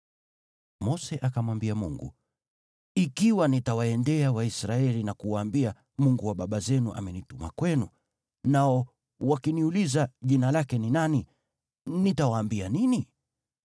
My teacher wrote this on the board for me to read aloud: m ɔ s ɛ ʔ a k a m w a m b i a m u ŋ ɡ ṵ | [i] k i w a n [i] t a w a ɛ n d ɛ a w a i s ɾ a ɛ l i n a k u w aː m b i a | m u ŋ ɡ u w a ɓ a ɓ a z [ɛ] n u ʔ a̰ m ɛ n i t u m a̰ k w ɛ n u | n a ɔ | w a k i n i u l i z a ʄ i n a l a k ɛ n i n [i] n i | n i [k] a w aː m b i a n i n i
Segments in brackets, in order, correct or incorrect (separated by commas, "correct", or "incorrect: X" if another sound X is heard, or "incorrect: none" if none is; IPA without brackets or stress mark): correct, correct, correct, incorrect: a, incorrect: t